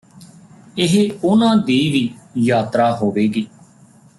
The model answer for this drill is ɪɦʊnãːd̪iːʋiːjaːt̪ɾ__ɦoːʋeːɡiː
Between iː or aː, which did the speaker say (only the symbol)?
aː